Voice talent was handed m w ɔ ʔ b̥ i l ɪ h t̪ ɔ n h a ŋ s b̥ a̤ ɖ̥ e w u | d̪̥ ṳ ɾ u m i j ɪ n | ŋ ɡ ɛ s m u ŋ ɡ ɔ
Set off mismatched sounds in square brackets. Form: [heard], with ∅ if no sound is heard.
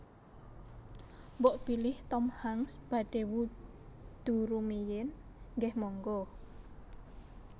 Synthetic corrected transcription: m [b] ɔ ʔ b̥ i l ɪ h t̪ ɔ [m] h a ŋ s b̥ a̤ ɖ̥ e w u | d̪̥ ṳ ɾ u m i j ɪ n | ŋ ɡ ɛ [h] m [ɔ] ŋ ɡ ɔ